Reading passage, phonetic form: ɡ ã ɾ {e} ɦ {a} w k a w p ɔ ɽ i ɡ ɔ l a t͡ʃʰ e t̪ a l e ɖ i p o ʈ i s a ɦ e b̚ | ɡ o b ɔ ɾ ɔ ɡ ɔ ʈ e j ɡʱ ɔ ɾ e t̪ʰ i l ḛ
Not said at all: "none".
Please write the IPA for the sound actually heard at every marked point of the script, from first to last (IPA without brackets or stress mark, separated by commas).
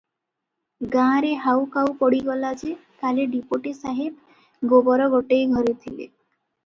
e, a